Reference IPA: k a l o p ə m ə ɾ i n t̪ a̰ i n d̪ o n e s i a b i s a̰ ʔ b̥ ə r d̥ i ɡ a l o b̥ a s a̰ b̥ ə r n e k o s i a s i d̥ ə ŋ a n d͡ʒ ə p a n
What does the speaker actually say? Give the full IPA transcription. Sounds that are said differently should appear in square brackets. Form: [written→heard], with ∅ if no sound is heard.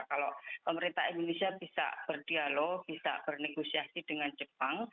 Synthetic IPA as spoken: k a l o p ə m ə ɾ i n t̪ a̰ i n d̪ o n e s i a b i s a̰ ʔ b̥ ə r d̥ i [ɡ→∅] a l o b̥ [a→i] s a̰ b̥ ə r n e [k→ɡ] o s i a s i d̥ ə ŋ a n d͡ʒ ə p a [n→ŋ]